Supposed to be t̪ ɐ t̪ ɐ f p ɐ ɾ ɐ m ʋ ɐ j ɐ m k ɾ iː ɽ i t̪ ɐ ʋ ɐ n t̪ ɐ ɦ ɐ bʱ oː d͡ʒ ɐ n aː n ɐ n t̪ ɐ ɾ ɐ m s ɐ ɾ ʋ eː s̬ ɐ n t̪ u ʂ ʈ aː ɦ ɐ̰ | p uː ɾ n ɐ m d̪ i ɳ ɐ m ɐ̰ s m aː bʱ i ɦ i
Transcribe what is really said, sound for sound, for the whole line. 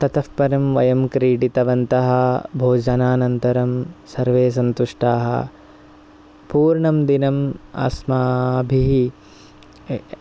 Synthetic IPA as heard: t̪ ɐ t̪ ɐ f p ɐ ɾ ɐ m ʋ ɐ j ɐ m k ɾ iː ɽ i t̪ ɐ ʋ ɐ n t̪ ɐ ɦ ɐ bʱ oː d͡ʒ ɐ n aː n ɐ n t̪ ɐ ɾ ɐ m s ɐ ɾ ʋ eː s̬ ɐ n t̪ u ʂ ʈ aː ɦ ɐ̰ | p uː ɾ ɳ ɐ m d̪ i n ɐ m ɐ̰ s m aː bʱ i ɦ i